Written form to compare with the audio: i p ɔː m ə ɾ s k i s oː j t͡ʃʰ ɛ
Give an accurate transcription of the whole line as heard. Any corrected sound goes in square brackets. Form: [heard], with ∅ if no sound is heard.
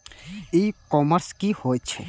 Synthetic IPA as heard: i [k] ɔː m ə ɾ s k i [h] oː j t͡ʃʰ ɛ